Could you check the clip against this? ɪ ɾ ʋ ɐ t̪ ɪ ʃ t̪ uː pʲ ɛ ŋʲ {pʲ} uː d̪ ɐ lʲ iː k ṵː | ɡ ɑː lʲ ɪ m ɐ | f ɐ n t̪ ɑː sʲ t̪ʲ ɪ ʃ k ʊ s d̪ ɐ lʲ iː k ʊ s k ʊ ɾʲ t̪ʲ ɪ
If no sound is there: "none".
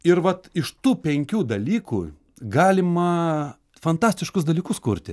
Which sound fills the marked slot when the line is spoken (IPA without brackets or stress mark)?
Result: kʲ